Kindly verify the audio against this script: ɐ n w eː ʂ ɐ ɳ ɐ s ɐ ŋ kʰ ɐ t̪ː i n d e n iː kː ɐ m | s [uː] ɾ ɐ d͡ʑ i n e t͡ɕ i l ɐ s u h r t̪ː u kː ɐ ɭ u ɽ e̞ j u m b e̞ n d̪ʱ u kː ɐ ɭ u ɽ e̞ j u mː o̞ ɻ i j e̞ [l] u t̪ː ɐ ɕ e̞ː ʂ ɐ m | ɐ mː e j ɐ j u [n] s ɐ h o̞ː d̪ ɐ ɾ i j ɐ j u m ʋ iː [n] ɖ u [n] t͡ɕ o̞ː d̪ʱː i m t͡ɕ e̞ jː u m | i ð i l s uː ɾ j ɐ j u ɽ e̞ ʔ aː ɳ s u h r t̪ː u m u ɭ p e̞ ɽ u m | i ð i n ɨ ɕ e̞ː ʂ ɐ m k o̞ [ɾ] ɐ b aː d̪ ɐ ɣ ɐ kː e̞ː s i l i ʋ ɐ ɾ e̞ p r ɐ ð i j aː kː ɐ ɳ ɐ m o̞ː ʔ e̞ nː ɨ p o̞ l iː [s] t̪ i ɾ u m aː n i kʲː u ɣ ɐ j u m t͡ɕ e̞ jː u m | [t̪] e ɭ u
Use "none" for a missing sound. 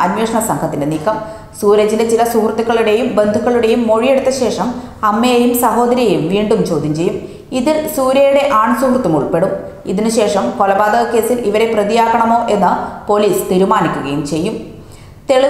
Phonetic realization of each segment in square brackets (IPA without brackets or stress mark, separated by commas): uː, ɽ, m, ɳ, m, l, s, t̪